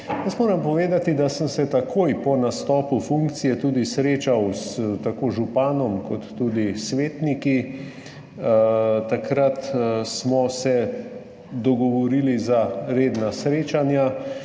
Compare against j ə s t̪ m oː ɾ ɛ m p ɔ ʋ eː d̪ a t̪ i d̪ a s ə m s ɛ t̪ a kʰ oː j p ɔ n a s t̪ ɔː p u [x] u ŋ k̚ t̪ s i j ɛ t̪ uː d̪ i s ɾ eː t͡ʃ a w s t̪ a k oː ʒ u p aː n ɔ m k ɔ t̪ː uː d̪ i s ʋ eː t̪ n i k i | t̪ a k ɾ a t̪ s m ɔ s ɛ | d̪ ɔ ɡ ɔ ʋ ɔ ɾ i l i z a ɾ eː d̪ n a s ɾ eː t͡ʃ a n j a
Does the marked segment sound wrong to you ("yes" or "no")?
yes